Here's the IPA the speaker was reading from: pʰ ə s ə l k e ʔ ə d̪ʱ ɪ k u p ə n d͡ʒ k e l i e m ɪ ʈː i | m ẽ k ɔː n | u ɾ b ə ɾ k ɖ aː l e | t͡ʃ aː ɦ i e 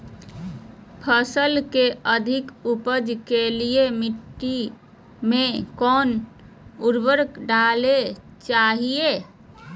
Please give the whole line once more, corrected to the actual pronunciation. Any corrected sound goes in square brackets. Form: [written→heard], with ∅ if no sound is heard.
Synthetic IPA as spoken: pʰ ə s ə l k e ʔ ə d̪ʱ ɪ k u p ə [n→∅] d͡ʒ k e l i e m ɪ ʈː i | m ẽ k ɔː n | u ɾ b ə ɾ k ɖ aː l e | t͡ʃ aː ɦ i e